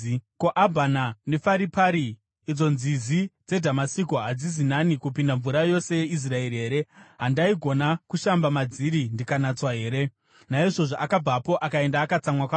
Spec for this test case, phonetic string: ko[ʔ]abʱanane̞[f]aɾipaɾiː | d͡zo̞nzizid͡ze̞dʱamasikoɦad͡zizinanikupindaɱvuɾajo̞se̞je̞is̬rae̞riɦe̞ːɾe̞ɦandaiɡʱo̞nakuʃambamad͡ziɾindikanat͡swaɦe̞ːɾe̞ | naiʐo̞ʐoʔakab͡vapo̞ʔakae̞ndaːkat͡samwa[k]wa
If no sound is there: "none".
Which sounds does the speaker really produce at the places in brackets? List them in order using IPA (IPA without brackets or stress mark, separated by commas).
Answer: ʔ, f, k